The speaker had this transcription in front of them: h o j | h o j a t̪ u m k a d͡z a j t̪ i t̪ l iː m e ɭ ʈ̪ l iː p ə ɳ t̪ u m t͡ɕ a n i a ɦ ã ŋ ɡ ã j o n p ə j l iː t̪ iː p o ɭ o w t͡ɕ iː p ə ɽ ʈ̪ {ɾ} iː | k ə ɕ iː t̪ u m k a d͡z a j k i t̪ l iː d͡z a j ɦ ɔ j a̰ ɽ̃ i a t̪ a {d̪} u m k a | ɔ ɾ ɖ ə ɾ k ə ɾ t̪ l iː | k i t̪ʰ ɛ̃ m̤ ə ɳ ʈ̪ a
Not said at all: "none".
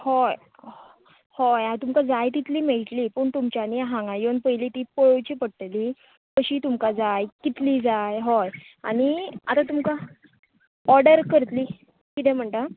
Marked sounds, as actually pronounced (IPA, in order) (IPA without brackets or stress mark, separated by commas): l, t̪